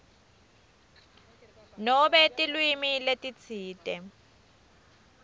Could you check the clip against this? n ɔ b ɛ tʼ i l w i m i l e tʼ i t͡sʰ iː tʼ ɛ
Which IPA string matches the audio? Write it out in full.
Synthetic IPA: n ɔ b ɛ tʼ i l w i m i l e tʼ i t͡sʰ iː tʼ ɛ